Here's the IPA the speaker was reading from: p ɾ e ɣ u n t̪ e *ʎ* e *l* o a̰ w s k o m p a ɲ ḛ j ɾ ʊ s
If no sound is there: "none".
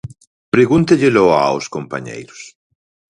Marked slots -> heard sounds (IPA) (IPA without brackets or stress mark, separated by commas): ʎ, l